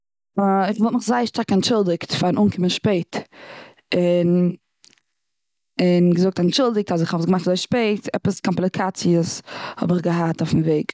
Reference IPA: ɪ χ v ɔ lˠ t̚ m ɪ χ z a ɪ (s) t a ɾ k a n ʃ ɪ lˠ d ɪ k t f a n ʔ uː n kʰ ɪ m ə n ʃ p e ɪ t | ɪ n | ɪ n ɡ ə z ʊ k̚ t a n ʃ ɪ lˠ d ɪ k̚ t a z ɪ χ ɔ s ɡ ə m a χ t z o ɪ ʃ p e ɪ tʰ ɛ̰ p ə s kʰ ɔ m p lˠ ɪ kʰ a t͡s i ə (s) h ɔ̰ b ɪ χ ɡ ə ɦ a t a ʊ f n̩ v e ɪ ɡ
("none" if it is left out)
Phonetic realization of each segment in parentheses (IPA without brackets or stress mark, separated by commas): ʃ, s